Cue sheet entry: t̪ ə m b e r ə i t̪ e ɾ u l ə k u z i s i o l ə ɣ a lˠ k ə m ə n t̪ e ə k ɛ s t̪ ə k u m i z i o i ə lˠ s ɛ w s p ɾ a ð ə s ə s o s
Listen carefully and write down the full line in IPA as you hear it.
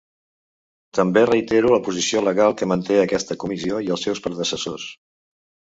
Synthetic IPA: t̪ ə m b e r ə i t̪ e ɾ u l ə p u z i s i o l ə ɣ a lˠ k ə m ə n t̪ e ə k ɛ s t̪ ə k u m i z i o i ə lˠ s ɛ w s p ɾ ə ð ə s ə s o s